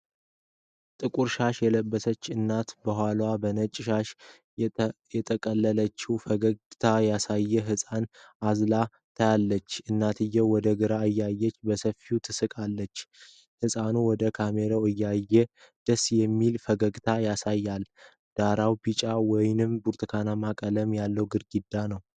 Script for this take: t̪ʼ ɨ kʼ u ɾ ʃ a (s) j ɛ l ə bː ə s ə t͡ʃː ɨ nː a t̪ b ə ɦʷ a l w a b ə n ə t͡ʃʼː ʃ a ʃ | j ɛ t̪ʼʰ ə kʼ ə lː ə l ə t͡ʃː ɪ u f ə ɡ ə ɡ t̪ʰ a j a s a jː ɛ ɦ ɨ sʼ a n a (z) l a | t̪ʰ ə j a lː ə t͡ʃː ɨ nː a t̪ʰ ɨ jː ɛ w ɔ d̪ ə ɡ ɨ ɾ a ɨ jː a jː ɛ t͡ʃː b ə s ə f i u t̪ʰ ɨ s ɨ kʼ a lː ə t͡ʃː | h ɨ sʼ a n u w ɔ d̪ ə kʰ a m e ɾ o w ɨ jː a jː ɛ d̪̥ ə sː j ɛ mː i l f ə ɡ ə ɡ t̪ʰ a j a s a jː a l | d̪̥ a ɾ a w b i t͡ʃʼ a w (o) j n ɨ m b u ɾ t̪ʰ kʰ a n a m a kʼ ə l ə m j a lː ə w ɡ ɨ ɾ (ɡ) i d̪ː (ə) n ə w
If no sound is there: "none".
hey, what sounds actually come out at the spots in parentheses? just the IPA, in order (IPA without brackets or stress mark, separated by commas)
ʃ, z, ɔ, ɡ, a